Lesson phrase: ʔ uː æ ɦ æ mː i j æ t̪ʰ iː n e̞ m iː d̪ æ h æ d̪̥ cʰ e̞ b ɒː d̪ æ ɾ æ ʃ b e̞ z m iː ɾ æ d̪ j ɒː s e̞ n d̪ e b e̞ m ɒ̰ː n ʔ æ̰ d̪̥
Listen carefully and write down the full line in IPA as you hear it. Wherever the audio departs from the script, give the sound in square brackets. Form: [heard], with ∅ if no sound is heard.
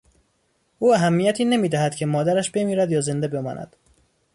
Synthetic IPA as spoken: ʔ uː æ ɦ æ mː i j æ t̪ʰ iː n e̞ m iː d̪ æ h æ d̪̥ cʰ e̞ [m] ɒː d̪ æ ɾ æ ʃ b e̞ [∅] m iː ɾ æ d̪ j ɒː [z] e̞ n d̪ e b e̞ m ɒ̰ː n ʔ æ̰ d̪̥